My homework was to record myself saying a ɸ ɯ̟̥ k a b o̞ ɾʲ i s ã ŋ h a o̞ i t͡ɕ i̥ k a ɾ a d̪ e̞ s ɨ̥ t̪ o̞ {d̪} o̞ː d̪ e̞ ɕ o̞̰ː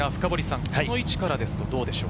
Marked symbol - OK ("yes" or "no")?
yes